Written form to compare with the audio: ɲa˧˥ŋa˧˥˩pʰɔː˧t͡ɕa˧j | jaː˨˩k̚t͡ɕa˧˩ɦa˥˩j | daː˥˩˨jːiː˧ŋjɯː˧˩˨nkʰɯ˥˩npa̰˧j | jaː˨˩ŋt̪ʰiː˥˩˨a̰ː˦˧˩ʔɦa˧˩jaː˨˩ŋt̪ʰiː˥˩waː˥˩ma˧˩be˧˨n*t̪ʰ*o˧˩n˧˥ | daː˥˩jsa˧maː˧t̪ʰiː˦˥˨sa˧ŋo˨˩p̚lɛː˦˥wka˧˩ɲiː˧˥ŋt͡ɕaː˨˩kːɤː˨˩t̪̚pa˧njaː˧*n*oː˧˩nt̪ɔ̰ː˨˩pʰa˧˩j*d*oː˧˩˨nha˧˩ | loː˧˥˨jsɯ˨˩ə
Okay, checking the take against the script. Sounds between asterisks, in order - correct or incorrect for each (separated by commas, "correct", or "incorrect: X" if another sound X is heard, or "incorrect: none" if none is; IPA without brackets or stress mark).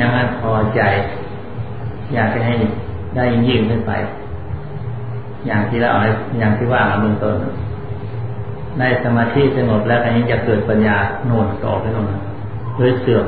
incorrect: t̪, correct, incorrect: n